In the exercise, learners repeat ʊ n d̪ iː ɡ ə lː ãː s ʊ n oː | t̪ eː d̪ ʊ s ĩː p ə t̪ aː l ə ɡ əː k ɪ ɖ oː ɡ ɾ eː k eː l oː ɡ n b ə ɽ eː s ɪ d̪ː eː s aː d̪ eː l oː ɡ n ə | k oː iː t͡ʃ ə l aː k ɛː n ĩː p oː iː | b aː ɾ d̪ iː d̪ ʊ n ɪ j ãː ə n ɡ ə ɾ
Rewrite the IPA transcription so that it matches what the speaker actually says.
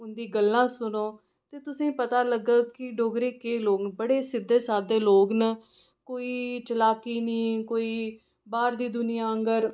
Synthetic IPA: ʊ n d̪ iː ɡ ə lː ãː s ʊ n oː | t̪ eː t̪ ʊ s ĩː p ə t̪ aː l ə ɡ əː k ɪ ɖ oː ɡ ɾ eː k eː l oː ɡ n b ə ɽ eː s ɪ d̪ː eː s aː d̪ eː l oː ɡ n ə | k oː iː t͡ʃ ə l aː k iː n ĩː k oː iː | b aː ɾ d̪ iː d̪ ʊ n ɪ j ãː ə ŋ ɡ ə ɾ